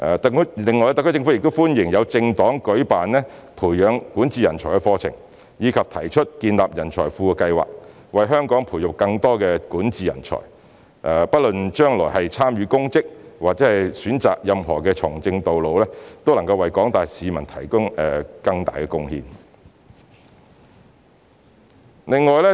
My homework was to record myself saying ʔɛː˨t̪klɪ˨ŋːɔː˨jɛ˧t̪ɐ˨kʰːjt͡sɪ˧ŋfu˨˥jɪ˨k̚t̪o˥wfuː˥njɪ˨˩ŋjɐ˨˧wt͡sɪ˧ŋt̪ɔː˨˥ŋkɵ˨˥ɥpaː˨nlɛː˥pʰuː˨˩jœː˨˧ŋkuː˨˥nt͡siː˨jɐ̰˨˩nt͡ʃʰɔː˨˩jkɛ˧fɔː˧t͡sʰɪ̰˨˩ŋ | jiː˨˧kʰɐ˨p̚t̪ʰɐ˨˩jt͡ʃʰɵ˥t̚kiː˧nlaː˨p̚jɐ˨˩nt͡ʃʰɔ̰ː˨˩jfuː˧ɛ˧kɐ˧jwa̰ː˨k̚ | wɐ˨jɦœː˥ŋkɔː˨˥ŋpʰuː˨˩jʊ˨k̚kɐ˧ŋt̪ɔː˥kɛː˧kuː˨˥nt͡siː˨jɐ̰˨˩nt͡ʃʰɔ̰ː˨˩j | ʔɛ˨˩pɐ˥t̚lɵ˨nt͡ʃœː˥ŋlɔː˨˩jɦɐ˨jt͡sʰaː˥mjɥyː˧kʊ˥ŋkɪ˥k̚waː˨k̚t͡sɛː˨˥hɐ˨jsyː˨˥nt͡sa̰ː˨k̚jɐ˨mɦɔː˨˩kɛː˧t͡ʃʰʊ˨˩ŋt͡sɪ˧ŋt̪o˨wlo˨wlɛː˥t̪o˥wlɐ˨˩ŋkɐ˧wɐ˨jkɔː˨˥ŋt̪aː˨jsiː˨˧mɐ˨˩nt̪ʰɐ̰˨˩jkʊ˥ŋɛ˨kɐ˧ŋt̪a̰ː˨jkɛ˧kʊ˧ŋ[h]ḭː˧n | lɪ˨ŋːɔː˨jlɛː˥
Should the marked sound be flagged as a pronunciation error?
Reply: no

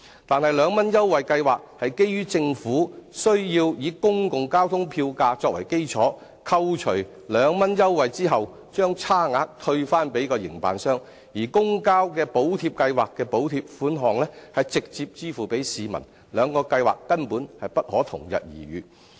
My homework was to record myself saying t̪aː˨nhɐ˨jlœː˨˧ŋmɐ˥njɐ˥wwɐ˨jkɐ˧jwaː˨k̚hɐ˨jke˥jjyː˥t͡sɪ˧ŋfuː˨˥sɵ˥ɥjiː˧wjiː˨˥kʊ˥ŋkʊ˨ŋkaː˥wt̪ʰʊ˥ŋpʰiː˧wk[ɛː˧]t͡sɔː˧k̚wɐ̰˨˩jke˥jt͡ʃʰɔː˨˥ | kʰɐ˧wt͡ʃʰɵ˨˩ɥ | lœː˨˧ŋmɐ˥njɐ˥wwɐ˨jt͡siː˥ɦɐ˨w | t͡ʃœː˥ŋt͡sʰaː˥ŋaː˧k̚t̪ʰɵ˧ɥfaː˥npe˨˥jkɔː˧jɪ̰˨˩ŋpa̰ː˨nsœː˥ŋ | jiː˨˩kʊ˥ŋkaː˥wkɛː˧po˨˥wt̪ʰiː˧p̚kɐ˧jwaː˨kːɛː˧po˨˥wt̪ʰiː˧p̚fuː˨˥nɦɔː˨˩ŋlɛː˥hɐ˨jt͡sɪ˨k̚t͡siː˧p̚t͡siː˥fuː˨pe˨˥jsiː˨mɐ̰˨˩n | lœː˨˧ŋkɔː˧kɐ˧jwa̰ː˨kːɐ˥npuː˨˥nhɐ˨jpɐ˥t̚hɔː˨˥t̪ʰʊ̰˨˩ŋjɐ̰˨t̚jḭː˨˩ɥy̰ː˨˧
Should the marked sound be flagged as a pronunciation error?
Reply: yes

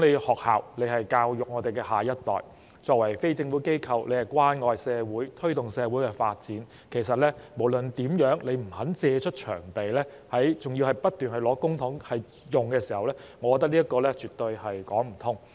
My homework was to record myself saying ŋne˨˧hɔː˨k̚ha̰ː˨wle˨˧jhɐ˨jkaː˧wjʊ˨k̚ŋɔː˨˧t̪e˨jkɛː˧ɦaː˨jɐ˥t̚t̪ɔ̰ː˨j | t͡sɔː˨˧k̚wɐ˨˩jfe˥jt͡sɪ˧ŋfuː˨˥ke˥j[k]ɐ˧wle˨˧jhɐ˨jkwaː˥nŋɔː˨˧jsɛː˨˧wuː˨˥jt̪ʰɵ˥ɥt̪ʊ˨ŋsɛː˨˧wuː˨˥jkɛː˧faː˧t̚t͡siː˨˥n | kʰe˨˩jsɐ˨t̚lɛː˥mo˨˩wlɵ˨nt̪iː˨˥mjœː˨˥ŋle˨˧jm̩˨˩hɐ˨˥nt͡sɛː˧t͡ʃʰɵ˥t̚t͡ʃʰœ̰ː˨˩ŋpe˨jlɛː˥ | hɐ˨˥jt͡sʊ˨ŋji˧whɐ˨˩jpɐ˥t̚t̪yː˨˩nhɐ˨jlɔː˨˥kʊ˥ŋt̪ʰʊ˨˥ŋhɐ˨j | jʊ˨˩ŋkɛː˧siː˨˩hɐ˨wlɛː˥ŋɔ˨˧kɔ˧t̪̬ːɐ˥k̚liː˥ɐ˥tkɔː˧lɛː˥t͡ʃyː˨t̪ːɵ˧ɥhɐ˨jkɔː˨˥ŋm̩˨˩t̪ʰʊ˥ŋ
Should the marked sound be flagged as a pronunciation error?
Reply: yes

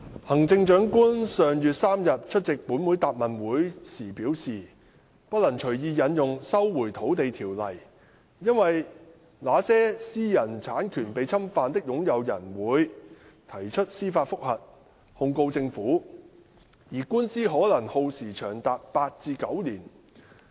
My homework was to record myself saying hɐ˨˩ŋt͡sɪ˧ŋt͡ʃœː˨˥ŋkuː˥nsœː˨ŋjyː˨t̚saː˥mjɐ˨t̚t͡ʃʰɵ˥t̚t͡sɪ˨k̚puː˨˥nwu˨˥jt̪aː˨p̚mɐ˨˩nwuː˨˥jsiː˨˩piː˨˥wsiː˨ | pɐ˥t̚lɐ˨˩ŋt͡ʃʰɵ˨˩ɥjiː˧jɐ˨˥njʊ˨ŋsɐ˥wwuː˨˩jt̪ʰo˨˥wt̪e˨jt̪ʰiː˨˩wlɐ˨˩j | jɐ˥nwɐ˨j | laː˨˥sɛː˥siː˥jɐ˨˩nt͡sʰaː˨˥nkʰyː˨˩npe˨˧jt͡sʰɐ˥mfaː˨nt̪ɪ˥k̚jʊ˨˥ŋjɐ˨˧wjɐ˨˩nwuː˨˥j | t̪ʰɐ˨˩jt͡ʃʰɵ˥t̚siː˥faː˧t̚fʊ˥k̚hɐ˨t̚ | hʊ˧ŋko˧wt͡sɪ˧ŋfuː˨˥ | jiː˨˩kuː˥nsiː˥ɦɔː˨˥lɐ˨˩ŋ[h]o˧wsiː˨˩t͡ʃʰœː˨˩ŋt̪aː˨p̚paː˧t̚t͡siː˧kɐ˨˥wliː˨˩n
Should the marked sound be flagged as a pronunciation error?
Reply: no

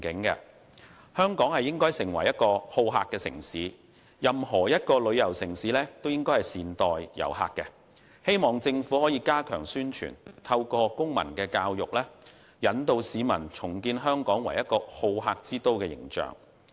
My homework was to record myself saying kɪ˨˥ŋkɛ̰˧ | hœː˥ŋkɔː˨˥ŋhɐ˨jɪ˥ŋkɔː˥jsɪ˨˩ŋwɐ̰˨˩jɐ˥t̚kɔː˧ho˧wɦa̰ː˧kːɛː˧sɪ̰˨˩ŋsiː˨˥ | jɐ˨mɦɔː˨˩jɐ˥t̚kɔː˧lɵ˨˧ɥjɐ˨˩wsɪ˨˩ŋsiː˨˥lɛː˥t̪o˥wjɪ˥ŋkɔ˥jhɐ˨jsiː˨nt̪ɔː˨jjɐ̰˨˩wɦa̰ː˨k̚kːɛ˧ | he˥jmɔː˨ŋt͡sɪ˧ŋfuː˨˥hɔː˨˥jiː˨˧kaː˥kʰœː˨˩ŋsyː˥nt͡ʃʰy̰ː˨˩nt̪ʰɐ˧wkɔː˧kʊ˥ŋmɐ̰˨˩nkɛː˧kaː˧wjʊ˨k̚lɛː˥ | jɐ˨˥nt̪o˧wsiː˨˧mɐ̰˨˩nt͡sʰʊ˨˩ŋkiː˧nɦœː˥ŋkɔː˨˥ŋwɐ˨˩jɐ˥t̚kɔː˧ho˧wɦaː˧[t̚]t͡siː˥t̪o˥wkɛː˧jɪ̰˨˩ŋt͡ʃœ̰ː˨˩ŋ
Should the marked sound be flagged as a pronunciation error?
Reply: yes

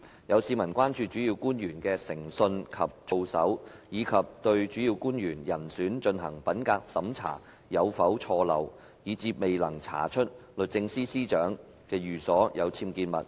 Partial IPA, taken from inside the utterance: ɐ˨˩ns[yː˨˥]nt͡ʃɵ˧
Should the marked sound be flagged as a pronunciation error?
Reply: no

